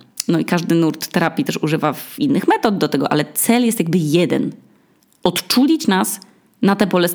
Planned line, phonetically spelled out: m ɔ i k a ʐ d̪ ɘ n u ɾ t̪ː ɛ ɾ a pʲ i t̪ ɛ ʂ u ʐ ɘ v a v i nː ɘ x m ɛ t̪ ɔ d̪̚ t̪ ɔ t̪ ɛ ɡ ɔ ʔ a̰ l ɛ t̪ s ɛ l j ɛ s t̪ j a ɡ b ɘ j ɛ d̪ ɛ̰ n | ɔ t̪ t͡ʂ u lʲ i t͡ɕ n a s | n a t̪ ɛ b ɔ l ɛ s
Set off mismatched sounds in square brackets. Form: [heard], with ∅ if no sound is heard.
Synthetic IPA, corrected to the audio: [n] ɔ i k a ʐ d̪ ɘ n u ɾ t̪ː ɛ ɾ a pʲ i t̪ ɛ ʂ u ʐ ɘ v a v i nː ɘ x m ɛ t̪ ɔ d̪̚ [d̪] ɔ t̪ ɛ ɡ ɔ ʔ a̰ l ɛ t̪ s ɛ l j ɛ s t̪ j a ɡ b ɘ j ɛ d̪ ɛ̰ n | ɔ t̪ t͡ʂ u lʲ i t͡ɕ n a s | n a t̪ ɛ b ɔ l ɛ s